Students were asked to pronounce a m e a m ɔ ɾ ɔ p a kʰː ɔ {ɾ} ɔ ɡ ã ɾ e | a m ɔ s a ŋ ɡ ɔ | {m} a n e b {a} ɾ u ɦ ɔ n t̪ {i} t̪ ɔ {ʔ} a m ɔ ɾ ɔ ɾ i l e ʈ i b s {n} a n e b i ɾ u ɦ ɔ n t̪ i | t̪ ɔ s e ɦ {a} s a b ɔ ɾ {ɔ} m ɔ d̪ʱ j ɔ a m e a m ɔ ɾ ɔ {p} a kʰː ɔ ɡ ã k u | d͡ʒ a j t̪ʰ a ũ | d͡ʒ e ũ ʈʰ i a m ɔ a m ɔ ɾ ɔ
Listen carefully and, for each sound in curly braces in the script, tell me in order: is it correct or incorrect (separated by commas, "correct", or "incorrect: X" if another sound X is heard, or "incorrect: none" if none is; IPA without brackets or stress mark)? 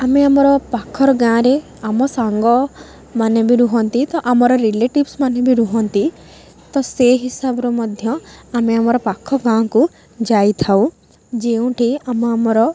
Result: correct, correct, incorrect: i, correct, correct, incorrect: m, incorrect: i, correct, correct